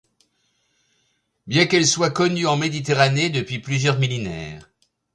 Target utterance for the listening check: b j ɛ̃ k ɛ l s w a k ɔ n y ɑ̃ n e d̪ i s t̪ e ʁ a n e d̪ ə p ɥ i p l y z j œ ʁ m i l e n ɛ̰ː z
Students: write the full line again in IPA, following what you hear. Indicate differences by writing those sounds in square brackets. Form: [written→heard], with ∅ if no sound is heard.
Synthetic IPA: b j ɛ̃ k ɛ l s w a k ɔ n y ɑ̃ [n→m] e d̪ i [s→∅] t̪ e ʁ a n e d̪ ə p ɥ i p l y z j œ ʁ m i l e n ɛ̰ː [z→ʁ]

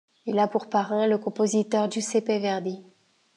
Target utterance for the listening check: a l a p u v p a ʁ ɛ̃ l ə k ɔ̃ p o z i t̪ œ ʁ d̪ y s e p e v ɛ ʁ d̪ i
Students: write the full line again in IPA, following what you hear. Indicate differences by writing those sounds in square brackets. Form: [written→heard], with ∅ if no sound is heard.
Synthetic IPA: [a→i] l a p u [v→ʁ] p a ʁ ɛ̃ l ə k ɔ̃ p o z i t̪ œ ʁ d̪ y s e p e v ɛ ʁ d̪ i

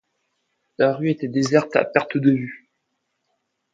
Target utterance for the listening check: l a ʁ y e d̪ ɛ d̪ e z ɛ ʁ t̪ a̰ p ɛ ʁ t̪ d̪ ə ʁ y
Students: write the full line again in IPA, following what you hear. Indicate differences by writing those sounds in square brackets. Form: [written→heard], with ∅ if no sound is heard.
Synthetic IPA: l a ʁ y e [d̪→t̪] ɛ d̪ e z ɛ ʁ t̪ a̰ p ɛ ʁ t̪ d̪ ə [ʁ→v] y

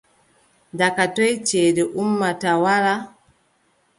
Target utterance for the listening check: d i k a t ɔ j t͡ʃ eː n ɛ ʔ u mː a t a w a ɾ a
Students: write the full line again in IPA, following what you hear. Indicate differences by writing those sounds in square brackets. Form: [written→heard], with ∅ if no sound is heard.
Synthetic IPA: d [i→a] k a t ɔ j t͡ʃ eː [n→d] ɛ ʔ u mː a t a w a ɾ a

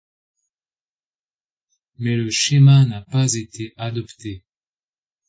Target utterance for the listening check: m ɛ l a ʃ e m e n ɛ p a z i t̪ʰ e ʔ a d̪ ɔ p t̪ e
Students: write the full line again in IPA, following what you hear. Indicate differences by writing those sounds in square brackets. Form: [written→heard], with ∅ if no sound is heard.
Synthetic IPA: m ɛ l [a→ə] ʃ e m [e→a] n [ɛ→a] p a z [i→e] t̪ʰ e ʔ a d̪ ɔ p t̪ e

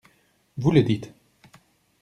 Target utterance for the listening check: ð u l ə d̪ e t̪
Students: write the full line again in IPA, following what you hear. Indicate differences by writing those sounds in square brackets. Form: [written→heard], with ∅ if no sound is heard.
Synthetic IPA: [ð→v] u l ə d̪ [e→i] t̪

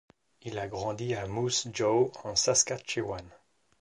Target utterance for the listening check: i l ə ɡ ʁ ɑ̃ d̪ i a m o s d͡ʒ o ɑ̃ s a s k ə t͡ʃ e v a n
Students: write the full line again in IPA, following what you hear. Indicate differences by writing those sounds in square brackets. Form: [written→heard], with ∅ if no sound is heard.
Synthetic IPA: i l [ə→a] ɡ ʁ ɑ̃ d̪ i a m [o→u] s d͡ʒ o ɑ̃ s a s k [ə→a] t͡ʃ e [v→w] a n

